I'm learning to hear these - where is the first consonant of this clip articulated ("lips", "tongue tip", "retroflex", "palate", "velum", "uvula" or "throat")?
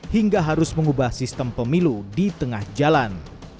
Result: throat